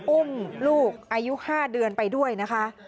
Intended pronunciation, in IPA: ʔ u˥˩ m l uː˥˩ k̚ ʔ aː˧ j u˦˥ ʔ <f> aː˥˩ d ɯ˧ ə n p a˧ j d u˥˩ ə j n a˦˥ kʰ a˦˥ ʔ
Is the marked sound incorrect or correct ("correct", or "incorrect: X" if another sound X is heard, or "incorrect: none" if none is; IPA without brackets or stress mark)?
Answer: incorrect: h